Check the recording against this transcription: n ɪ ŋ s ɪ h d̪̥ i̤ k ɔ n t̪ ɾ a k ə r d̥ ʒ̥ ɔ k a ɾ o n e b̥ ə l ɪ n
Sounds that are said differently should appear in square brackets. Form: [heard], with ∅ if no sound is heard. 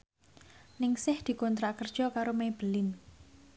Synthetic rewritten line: n ɪ ŋ s ɪ h d̪̥ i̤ k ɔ n t̪ ɾ a k ə r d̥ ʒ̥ ɔ k a ɾ o [m] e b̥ ə l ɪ n